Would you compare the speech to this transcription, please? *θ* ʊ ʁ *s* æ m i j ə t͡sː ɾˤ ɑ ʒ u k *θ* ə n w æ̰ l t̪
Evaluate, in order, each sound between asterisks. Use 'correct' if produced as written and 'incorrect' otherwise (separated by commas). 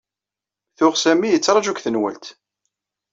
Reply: correct, correct, correct